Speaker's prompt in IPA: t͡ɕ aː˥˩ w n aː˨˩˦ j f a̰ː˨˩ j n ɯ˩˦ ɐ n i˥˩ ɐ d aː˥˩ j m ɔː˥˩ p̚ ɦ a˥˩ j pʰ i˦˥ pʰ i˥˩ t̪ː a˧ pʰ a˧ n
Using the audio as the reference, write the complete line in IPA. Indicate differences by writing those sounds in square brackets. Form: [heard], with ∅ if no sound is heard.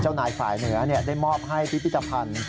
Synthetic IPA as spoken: t͡ɕ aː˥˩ w n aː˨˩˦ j f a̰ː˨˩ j n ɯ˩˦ ɐ n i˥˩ ɐ d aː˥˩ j m ɔː˥˩ p̚ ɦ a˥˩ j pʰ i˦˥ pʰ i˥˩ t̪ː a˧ pʰ a˧ n